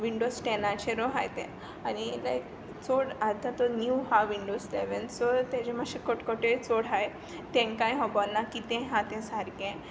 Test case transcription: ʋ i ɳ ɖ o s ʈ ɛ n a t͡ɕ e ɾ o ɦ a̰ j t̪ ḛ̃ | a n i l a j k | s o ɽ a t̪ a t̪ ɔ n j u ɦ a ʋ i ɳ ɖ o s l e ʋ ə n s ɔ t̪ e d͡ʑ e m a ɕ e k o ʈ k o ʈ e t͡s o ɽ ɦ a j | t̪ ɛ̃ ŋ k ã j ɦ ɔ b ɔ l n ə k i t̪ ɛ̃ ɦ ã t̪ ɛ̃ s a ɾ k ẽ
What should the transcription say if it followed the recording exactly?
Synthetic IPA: ʋ i ɳ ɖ o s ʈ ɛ n a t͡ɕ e ɾ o ɦ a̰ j t̪ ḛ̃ | a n i l a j k | t͡s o ɽ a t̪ a t̪ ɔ n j u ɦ a ʋ i ɳ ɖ o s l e ʋ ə n s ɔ t̪ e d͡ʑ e m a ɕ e k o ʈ k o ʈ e t͡s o ɽ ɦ a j | t̪ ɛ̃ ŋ k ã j ɦ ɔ b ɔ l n a k i t̪ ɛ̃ ɦ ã t̪ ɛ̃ s a ɾ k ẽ